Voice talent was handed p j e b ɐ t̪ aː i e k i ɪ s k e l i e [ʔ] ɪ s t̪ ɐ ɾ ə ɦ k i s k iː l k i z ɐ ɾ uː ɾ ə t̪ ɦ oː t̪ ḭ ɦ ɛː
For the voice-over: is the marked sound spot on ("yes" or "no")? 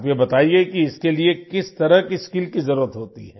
no